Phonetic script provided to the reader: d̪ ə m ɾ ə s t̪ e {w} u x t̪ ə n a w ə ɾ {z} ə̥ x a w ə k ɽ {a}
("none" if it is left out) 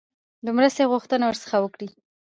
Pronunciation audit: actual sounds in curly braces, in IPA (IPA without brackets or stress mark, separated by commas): ɣ, s, i